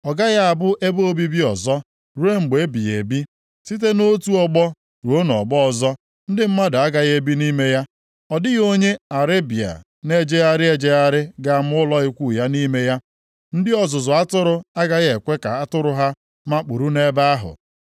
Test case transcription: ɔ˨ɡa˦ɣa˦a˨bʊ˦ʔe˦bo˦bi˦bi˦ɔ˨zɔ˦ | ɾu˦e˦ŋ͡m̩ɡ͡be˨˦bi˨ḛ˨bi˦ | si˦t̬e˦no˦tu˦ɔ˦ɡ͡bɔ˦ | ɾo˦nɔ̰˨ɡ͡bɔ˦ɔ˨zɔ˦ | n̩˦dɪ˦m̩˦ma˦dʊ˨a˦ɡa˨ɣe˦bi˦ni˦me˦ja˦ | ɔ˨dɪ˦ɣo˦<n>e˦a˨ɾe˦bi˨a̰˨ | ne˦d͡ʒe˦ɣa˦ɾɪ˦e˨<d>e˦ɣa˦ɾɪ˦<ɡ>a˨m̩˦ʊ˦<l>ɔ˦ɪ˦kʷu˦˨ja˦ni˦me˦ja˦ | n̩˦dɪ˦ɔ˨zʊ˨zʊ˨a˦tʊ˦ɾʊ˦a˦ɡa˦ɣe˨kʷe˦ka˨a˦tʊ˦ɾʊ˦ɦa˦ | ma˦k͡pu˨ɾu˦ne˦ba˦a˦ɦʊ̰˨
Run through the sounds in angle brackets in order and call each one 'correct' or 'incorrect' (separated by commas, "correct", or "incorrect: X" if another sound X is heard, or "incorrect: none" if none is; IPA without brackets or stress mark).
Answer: incorrect: ɲ, incorrect: d͡ʒ, correct, correct